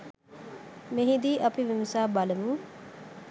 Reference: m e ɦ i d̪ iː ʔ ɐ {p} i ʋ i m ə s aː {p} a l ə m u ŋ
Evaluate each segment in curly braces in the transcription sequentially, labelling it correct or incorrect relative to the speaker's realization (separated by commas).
correct, incorrect